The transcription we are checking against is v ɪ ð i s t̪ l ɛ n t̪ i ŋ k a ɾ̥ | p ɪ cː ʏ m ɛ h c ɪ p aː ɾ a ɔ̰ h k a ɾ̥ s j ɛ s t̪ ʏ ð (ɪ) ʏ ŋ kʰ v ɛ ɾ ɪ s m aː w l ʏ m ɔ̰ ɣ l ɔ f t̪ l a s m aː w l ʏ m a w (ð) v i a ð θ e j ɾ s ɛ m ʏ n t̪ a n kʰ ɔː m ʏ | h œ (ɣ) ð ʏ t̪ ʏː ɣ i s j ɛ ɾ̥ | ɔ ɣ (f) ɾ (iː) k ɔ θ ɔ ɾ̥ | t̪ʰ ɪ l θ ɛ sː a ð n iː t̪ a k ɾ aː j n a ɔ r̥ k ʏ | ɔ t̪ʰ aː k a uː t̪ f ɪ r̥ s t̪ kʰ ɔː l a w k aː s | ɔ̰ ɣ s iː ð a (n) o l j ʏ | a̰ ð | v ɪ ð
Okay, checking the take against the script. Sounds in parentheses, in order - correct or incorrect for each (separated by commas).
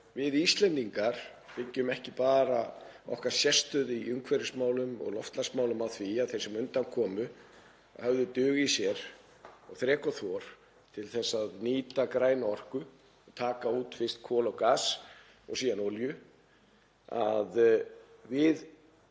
incorrect, incorrect, incorrect, incorrect, incorrect, correct